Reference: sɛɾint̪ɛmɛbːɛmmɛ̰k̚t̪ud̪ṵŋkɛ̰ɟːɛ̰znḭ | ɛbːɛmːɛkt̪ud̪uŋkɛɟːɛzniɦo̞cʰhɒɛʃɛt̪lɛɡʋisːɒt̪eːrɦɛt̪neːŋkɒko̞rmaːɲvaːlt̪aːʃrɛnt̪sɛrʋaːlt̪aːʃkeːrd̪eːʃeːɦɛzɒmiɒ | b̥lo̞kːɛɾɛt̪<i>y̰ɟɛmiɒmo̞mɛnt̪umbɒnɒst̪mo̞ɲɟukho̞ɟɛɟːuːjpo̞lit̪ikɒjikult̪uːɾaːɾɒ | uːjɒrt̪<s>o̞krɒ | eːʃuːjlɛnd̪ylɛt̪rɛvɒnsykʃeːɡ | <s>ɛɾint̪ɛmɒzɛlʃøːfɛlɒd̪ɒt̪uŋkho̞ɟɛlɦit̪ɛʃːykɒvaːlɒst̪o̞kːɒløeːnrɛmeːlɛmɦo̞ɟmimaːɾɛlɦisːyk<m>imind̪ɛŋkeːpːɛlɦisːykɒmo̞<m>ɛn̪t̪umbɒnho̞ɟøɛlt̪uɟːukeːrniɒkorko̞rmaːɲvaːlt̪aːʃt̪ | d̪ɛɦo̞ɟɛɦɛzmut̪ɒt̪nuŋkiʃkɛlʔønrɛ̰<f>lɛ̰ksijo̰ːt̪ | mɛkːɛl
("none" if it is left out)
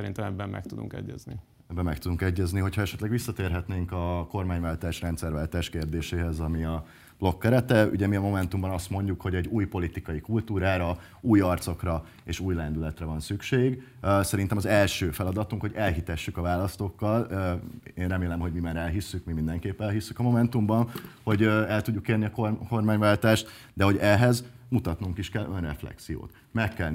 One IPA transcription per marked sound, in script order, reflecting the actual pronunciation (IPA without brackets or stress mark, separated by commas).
ɛ, s, s, m, m, f